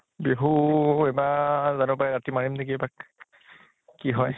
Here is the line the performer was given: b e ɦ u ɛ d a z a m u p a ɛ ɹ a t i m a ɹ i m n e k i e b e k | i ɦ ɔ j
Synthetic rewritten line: b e ɦ u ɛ b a z a n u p a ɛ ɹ a t i m a ɹ i m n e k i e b a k | i ɦ ɔ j

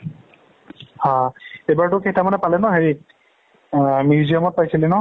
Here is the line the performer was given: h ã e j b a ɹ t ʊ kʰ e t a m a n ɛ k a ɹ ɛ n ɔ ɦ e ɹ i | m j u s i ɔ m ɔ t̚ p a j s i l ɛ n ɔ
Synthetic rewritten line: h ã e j b a ɹ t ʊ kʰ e t a m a n ɛ p a l ɛ n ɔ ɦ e ɹ i | m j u z i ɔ m ɔ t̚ p a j s i l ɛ n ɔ

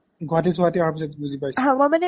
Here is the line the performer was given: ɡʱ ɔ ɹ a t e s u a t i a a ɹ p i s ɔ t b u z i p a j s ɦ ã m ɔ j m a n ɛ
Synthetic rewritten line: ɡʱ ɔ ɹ a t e s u a t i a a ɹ p i s ɔ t b u z i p a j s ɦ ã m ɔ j m a n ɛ

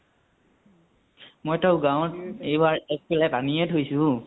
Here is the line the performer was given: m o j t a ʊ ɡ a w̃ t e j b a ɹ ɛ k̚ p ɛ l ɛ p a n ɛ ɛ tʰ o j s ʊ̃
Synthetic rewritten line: m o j t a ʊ ɡ a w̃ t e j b a ɹ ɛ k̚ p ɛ l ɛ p a n i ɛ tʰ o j s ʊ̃

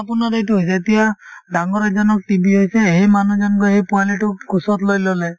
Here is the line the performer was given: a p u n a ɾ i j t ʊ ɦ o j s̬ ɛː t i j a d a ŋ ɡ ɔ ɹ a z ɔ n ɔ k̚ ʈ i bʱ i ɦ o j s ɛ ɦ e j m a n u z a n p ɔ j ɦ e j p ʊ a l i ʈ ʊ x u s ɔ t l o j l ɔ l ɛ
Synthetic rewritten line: a p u n a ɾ e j t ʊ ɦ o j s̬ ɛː t i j a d a ŋ ɡ ɔ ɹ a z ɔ n ɔ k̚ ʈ i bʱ i ɦ o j s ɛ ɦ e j m a n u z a n k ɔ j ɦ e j p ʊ a l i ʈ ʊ k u s ɔ t l o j l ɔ l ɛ

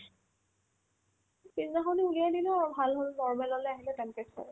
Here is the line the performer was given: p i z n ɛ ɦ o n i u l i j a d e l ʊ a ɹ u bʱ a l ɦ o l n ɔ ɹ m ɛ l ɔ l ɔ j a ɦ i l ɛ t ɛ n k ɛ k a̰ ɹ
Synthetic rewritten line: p i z n a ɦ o n i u l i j a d i l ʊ a ɹ u bʱ a l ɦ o l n ɔ ɹ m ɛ l ɔ l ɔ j a ɦ i l ɛ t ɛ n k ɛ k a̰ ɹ

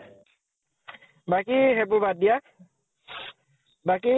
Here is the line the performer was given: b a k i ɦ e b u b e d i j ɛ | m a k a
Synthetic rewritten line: b a k i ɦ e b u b a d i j a | b a k i

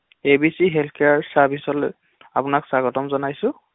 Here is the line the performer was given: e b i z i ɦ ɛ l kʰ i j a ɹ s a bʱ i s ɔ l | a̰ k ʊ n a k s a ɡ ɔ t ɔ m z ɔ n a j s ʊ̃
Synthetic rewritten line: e b i s i ɦ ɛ l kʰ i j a ɹ s a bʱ i s ɔ l | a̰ p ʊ n a k s a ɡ ɔ t ɔ m z ɔ n a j s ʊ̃

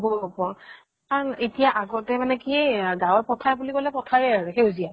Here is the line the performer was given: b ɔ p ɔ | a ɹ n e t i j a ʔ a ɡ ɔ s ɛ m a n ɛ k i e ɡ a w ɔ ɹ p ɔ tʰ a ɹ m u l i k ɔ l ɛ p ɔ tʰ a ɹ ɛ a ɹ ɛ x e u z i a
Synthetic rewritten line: b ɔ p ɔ | a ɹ n e t i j a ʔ a ɡ ɔ t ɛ m a n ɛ k i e ɡ a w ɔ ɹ p ɔ tʰ a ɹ b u l i k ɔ l ɛ p ɔ tʰ a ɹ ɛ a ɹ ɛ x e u z i a

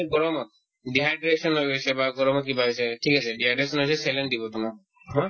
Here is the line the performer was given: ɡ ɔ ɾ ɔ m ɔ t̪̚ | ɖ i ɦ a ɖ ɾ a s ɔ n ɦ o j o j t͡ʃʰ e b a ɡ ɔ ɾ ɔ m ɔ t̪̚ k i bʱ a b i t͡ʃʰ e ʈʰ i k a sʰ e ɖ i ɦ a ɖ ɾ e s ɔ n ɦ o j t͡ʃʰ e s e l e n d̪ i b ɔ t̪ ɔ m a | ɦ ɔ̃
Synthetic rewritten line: ɡ ɔ ɾ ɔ m ɔ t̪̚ | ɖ i ɦ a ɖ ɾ e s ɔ n ɦ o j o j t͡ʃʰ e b a ɡ ɔ ɾ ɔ m ɔ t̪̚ k i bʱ a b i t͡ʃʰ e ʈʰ i k a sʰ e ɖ i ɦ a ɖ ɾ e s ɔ n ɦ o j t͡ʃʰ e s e l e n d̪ i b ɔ t̪ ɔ m a | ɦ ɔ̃

